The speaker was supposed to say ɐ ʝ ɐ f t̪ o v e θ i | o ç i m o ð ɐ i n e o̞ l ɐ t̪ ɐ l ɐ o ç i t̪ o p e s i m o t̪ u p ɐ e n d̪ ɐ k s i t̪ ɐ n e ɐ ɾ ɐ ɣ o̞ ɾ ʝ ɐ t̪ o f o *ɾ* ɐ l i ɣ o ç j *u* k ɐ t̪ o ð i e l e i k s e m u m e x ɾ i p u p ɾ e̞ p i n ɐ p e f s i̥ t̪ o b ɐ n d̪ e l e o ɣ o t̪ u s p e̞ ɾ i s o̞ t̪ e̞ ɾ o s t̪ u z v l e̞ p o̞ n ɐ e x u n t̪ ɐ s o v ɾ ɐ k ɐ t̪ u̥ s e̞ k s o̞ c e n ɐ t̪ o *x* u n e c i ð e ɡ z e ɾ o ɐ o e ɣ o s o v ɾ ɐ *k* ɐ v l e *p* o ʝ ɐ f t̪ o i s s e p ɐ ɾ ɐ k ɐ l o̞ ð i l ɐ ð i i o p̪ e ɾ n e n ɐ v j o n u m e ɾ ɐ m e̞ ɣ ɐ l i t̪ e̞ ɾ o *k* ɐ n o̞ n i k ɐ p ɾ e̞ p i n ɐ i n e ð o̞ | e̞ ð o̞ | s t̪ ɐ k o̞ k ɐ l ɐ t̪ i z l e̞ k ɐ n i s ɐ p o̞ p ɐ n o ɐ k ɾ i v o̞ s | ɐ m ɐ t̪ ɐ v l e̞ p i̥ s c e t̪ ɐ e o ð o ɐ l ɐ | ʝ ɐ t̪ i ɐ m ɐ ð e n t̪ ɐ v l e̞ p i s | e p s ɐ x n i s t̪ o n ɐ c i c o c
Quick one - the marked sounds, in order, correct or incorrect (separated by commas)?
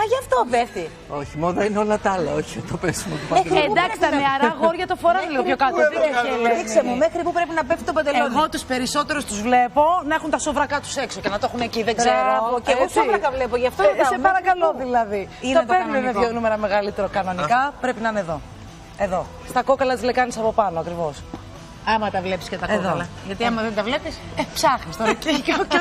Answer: correct, incorrect, correct, correct, correct, correct